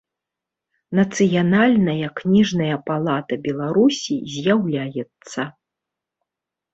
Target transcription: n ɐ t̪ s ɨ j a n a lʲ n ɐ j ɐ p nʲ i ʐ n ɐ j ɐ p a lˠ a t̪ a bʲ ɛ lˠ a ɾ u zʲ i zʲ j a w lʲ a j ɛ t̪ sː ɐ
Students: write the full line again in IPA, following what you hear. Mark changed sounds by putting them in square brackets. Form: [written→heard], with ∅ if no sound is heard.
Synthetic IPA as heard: n ɐ t̪ s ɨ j a n a lʲ n ɐ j ɐ [p→k] nʲ i ʐ n ɐ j ɐ p a lˠ a t̪ [a→ɐ] bʲ ɛ lˠ a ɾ u [zʲ→sʲ] i zʲ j a w lʲ a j ɛ t̪ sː ɐ